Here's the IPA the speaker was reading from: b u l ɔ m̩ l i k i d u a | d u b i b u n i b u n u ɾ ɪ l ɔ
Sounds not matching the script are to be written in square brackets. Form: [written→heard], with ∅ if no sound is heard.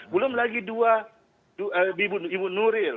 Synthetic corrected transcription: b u l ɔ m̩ l [i→a] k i d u a | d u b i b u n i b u n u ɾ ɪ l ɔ